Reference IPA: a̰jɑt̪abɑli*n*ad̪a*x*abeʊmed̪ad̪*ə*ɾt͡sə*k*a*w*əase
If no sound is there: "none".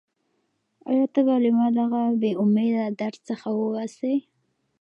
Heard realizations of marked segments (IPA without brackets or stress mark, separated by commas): m, ɣ, a, x, w